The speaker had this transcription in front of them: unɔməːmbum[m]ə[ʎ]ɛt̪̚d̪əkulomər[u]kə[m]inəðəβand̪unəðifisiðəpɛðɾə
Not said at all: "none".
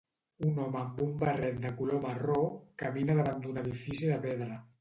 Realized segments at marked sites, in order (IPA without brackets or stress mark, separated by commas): b, r, o, m